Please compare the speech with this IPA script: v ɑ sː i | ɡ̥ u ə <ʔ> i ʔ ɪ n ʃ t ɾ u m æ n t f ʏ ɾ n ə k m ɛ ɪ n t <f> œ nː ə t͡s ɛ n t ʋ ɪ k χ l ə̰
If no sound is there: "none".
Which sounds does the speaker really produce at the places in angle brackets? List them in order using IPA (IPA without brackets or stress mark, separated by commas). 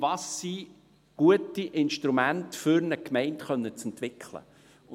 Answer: t, χ